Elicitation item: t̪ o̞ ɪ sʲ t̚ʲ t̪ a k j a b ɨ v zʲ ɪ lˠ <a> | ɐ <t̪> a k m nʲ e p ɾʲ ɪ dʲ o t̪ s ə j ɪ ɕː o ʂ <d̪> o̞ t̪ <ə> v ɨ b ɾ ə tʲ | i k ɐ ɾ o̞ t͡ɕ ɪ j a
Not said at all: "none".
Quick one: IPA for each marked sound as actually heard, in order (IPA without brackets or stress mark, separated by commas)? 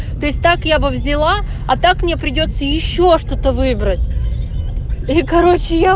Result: a, t̪, t̪, ə